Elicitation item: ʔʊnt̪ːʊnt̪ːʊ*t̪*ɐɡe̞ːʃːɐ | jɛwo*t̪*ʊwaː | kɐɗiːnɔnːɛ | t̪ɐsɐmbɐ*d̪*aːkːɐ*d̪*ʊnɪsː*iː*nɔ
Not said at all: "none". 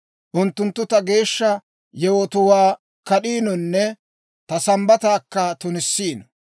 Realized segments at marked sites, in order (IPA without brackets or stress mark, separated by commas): t̪, t̪, t̪, t̪, iː